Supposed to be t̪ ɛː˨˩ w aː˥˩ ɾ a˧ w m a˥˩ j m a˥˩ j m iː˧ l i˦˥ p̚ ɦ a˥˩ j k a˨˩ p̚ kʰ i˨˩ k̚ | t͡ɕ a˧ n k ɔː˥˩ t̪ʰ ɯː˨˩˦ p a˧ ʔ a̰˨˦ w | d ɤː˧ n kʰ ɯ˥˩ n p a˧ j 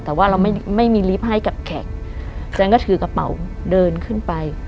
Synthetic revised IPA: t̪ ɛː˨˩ w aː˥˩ ɾ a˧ w m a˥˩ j m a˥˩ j m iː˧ l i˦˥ p̚ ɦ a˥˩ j k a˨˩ p̚ kʰ ɛ˨˩ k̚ | t͡ɕ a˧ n k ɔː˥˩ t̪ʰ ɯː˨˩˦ k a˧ p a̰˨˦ w | d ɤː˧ n kʰ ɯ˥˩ n p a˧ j